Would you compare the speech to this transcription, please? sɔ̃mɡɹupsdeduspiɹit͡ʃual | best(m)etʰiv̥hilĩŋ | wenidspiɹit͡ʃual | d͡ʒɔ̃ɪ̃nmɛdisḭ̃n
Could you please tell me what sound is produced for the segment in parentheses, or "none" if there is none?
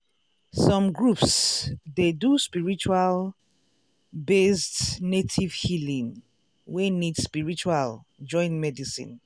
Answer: n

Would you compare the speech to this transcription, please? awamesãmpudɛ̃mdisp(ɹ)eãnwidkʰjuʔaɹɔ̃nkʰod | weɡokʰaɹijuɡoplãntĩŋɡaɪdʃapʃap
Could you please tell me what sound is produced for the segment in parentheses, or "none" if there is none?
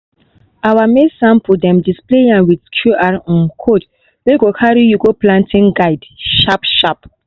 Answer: l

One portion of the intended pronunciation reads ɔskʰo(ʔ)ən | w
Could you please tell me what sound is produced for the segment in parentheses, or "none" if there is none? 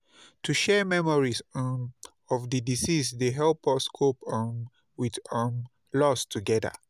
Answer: p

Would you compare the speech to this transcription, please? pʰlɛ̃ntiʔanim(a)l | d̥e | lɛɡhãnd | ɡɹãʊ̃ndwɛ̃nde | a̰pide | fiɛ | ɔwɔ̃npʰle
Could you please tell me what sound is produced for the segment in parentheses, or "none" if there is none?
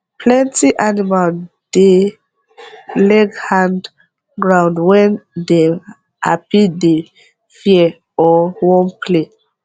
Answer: a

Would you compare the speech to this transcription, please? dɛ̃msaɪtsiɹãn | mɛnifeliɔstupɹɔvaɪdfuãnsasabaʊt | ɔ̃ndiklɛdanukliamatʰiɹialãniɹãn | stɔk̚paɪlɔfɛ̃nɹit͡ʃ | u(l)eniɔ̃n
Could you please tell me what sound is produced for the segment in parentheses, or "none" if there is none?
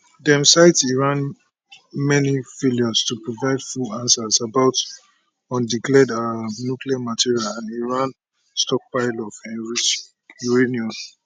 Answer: ɹ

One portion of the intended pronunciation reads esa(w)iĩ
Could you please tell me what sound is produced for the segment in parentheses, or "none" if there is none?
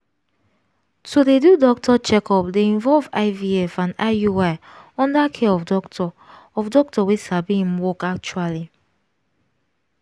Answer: b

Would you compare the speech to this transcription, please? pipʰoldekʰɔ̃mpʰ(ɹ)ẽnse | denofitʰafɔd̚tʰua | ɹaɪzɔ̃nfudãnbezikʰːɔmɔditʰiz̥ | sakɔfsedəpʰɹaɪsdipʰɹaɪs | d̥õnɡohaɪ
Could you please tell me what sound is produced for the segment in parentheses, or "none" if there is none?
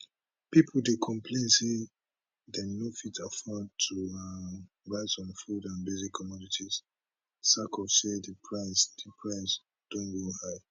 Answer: l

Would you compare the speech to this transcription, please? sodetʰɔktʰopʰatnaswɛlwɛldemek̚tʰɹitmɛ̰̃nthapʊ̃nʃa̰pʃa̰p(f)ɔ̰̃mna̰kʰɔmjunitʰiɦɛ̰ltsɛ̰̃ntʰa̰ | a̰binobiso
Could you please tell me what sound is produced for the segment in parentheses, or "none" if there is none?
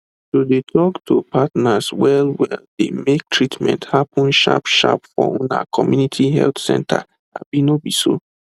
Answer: f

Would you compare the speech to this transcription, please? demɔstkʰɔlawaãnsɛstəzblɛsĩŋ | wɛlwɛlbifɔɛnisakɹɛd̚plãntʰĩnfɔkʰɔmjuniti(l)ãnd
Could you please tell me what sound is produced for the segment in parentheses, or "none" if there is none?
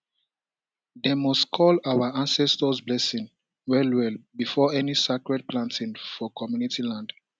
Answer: l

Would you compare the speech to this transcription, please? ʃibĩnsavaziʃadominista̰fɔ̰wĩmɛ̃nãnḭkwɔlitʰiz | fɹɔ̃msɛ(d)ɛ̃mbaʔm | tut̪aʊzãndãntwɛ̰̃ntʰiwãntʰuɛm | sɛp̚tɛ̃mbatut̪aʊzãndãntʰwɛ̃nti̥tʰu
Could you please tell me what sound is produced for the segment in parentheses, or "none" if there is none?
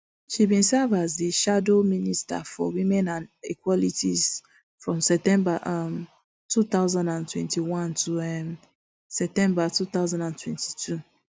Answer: t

